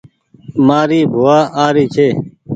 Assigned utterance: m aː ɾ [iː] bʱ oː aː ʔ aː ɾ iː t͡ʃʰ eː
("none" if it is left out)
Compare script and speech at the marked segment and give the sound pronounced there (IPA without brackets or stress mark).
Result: iː